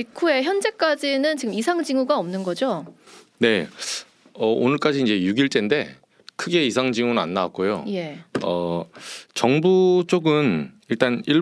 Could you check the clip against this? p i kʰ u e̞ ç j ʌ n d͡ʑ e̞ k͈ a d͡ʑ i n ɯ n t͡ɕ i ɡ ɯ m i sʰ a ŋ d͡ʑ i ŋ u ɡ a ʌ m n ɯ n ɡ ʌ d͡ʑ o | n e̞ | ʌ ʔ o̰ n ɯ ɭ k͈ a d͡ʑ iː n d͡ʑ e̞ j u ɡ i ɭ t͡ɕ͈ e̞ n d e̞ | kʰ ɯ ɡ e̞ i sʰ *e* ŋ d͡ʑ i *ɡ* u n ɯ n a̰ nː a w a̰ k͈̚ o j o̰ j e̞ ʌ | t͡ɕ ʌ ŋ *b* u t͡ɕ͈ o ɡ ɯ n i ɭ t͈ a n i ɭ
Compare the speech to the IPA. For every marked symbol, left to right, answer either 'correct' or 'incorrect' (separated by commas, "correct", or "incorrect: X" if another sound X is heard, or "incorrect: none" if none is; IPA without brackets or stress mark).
incorrect: a, incorrect: ŋ, correct